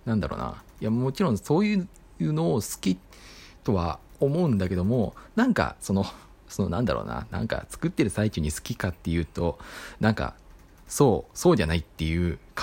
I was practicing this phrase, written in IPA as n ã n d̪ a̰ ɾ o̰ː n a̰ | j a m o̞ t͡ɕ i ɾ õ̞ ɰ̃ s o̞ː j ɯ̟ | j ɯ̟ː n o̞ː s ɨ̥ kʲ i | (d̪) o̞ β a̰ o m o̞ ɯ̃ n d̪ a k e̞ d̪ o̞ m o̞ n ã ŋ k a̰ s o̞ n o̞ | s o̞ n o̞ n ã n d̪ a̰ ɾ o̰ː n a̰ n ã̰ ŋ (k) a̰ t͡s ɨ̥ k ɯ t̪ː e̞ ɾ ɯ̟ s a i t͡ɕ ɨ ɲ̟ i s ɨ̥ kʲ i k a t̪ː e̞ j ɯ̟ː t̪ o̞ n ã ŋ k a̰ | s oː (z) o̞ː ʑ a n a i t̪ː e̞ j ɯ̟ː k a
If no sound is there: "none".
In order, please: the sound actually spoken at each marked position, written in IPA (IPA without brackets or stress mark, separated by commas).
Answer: t̪, k, s